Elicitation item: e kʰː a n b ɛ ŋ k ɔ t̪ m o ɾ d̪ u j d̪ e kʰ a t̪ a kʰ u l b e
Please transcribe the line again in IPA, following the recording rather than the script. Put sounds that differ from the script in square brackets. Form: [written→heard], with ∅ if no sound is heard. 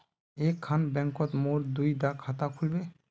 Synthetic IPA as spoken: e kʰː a n b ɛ ŋ k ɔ t̪ m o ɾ d̪ u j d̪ [e→a] kʰ a t̪ a kʰ u l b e